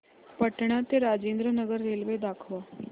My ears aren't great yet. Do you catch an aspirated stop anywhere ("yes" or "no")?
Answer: yes